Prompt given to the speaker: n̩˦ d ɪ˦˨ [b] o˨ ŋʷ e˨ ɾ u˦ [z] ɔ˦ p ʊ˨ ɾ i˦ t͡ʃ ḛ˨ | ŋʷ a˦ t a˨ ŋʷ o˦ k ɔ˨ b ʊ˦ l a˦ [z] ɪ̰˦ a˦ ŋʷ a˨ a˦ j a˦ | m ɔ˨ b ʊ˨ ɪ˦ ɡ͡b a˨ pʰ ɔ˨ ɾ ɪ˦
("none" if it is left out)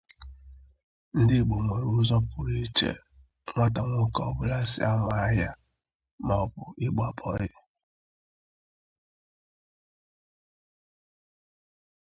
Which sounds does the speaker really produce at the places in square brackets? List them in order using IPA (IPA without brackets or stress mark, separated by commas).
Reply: ɡ͡b, z, s